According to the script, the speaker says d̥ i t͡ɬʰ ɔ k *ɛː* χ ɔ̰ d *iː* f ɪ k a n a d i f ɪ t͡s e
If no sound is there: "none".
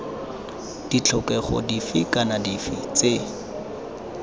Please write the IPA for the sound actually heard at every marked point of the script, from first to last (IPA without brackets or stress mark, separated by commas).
ɛ, i